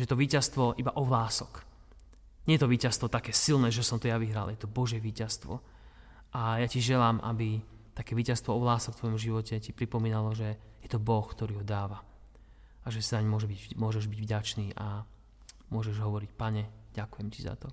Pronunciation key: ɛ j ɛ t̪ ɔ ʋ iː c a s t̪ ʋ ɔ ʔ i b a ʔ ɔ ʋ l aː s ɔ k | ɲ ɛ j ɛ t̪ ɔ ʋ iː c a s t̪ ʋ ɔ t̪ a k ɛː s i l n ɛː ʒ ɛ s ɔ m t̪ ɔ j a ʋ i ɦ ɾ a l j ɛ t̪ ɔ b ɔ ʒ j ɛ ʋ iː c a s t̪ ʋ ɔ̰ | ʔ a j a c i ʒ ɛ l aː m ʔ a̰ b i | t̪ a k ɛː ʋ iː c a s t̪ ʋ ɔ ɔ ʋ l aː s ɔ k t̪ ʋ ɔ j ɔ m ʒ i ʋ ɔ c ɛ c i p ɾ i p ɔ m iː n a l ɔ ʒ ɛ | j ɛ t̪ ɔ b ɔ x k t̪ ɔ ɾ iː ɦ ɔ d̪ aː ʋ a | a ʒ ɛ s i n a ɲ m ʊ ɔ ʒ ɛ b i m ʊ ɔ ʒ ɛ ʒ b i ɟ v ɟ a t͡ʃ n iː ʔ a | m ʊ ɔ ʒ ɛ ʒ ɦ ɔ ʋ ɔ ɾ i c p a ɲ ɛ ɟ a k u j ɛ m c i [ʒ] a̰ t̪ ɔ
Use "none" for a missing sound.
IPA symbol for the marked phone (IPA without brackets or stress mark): z